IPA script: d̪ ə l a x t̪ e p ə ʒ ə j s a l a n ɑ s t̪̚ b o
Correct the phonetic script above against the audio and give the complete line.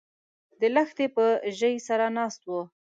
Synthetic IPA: d̪ ə l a x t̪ e p ə ʒ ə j s a ɾ a n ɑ s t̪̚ w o